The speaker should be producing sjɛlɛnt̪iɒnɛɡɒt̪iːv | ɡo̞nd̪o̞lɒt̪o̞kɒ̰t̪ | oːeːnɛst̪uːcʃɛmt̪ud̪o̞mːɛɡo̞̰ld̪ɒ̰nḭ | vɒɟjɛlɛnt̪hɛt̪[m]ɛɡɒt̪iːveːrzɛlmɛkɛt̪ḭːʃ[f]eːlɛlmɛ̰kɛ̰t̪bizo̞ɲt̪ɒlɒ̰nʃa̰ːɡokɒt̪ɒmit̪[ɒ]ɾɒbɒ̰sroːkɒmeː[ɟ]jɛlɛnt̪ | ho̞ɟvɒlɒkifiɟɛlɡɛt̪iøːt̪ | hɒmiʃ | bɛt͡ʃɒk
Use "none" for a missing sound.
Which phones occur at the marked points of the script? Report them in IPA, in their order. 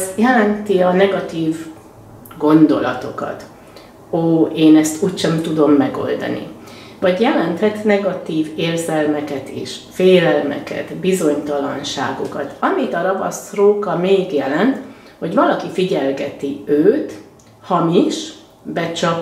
n, f, ɒ, ɡ

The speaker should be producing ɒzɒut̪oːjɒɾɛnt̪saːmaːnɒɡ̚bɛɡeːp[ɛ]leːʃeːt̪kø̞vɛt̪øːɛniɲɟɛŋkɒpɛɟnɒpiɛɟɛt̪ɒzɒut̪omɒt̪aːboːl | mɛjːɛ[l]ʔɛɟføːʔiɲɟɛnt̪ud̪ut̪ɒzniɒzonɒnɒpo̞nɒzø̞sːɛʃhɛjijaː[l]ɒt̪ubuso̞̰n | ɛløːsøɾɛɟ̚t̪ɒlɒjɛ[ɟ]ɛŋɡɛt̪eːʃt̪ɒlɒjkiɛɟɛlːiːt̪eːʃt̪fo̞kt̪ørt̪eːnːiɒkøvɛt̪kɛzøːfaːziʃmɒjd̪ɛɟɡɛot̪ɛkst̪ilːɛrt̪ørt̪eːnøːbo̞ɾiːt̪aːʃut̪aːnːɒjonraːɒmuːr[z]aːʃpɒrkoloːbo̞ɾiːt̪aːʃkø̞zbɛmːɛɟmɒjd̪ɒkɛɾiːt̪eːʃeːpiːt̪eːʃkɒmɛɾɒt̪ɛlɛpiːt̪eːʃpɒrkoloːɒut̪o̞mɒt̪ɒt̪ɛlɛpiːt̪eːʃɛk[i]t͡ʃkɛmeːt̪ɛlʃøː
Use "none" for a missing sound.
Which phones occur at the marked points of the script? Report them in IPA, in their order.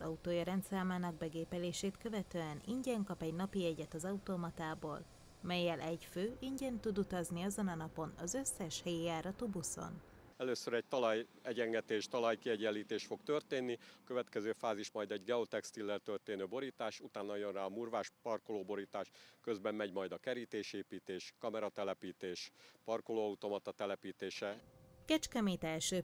ɛ, l, ɾ, ɟ, v, ɛ

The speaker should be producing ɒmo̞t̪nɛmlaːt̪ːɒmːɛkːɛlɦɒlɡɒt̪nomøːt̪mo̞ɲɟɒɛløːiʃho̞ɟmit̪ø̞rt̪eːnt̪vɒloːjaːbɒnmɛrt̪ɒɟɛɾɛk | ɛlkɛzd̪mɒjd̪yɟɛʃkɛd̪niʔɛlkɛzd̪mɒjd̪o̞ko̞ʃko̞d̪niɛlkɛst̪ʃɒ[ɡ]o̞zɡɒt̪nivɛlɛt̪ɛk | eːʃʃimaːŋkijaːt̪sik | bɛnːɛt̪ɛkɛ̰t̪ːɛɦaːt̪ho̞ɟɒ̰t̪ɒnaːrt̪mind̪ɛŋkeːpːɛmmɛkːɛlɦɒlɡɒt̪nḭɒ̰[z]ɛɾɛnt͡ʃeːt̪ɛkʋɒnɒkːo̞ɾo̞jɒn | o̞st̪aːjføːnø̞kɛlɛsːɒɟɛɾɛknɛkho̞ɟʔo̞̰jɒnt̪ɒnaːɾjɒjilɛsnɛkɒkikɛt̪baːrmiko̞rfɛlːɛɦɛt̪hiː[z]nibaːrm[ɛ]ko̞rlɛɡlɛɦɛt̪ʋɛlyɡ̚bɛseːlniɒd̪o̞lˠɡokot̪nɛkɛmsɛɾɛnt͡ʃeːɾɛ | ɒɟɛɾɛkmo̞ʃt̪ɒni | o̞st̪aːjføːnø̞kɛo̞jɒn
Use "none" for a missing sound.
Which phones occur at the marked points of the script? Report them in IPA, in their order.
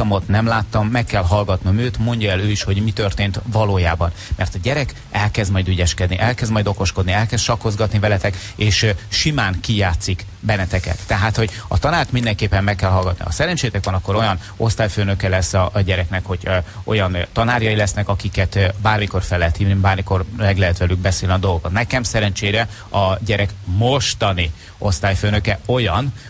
k, s, v, i

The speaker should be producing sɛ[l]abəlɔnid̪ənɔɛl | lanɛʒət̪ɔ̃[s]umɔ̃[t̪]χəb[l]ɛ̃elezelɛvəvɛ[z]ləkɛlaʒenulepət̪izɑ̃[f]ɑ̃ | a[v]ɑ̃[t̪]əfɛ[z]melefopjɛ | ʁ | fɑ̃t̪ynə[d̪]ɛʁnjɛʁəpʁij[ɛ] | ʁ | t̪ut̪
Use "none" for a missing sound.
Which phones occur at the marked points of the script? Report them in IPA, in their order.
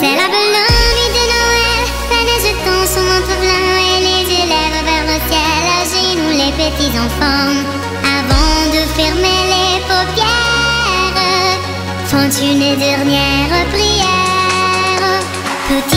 l, s, t̪, l, ʁ, f, v, d̪, ʁ, d̪, ɛ

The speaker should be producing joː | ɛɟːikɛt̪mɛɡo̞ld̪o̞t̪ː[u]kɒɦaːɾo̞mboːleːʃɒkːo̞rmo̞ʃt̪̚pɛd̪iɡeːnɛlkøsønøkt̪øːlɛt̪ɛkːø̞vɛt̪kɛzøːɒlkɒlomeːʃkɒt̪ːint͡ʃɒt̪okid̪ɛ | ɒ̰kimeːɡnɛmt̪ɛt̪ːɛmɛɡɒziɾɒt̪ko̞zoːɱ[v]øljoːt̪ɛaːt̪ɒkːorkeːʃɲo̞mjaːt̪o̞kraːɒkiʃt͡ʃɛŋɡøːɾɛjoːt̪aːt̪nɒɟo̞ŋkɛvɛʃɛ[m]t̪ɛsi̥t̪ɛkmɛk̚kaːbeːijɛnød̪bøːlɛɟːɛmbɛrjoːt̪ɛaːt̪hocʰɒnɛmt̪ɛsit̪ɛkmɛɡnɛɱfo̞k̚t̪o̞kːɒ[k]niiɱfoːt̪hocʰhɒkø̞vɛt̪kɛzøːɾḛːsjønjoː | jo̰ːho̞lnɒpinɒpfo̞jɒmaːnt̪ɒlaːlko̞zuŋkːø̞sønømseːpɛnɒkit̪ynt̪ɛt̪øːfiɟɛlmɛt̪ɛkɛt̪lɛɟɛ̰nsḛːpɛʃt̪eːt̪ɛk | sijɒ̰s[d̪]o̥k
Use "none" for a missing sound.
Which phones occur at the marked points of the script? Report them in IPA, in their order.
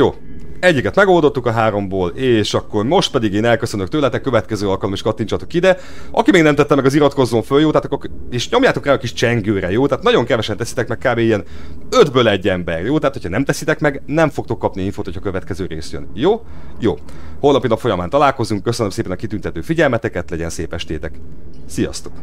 u, f, n, p, t̪

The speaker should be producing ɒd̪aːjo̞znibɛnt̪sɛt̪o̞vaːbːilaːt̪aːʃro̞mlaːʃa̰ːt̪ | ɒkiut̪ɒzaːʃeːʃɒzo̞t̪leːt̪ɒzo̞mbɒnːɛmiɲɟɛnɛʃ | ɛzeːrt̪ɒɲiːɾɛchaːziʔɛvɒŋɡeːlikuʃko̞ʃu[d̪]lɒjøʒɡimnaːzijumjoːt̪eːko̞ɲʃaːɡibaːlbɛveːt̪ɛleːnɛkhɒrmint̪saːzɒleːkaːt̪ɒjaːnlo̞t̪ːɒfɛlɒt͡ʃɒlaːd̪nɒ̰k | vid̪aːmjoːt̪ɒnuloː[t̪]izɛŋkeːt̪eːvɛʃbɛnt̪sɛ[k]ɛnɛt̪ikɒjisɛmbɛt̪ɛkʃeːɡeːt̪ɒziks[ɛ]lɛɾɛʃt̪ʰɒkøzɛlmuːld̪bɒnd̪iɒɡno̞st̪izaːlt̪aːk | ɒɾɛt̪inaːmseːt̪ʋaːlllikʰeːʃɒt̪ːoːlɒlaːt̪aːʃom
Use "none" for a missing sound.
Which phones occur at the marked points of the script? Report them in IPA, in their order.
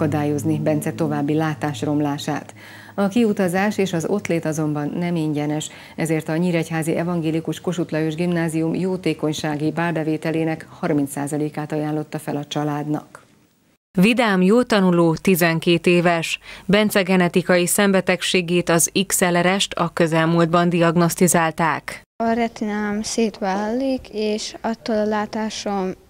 t̪, t̪, ɡ, ɛ

